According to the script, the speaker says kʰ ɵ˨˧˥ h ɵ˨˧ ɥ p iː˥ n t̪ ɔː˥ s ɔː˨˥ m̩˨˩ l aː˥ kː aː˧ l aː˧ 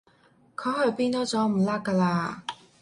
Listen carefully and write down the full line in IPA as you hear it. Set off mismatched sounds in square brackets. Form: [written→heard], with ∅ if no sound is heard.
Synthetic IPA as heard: kʰ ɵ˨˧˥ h ɵ˨˧ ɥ p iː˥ n t̪ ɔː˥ [s→t͡s] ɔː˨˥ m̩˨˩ l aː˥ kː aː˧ l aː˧